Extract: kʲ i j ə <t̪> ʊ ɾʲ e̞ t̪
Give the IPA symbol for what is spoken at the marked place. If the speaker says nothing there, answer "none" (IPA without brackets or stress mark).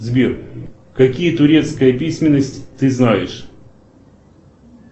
t̪